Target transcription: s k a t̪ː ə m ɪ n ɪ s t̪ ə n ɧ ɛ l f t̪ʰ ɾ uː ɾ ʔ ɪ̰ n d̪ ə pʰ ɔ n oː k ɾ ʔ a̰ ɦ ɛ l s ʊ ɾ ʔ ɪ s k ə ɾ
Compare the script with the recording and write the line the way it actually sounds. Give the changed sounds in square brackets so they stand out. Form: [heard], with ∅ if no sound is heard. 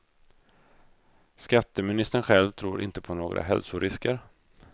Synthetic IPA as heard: s k a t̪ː ə m ɪ n ɪ s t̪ ə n ɧ ɛ l [v] t̪ʰ ɾ uː ɾ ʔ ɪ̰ n [t̪] ə pʰ ɔ n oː [ɡ] ɾ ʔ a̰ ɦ ɛ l s ʊ ɾ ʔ ɪ s k ə ɾ